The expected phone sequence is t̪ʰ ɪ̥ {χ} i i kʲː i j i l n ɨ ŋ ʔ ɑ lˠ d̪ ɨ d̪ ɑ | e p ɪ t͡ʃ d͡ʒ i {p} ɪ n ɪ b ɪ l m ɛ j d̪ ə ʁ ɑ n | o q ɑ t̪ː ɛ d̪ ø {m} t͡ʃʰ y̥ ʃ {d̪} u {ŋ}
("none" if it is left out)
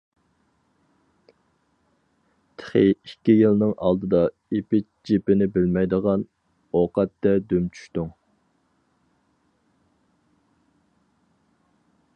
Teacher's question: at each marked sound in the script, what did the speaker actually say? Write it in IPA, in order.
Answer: χ, p, m, t̪, ŋ

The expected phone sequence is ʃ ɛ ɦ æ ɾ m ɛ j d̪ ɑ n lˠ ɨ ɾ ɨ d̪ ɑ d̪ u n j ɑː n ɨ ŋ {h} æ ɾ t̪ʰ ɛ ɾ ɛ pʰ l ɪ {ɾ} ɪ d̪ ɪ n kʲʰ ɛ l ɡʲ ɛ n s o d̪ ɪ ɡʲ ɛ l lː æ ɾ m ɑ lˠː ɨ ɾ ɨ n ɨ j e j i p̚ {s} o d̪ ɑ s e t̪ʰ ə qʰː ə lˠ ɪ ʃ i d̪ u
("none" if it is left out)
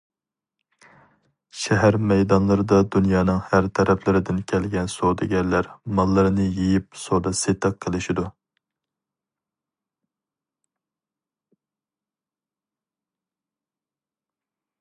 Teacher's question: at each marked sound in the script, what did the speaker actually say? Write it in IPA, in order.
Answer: h, ɾ, s

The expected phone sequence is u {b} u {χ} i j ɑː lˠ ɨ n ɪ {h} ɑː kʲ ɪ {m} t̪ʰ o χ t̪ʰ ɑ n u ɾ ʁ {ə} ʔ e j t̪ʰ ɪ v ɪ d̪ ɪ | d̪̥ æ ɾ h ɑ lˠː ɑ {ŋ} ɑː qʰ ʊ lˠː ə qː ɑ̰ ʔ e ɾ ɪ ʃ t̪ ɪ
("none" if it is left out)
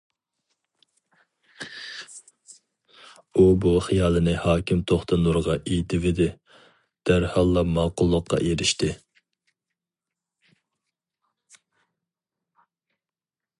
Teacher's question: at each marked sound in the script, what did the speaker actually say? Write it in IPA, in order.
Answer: b, χ, h, m, ɑ, m

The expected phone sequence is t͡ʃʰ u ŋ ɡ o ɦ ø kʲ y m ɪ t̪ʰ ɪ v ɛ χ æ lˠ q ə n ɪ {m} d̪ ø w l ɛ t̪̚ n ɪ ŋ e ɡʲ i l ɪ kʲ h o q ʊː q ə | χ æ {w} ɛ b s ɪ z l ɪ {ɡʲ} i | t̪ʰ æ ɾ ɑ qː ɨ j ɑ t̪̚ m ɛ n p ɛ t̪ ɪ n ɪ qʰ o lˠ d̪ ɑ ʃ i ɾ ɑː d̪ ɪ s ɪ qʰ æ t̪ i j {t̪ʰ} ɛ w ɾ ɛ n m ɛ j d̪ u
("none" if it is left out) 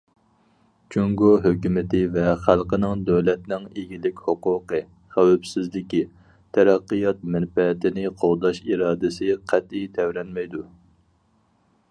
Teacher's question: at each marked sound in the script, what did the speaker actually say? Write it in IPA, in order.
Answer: ŋ, w, kʲ, t̪ʰ

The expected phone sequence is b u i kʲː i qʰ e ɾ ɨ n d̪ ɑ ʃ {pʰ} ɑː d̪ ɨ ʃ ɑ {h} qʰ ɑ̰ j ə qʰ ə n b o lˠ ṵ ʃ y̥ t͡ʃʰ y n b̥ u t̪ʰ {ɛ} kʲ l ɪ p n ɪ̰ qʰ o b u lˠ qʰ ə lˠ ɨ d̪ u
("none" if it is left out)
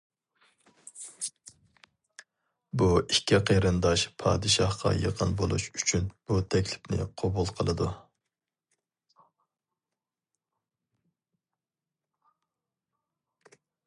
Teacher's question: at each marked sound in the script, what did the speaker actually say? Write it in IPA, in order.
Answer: pʰ, h, ɛ

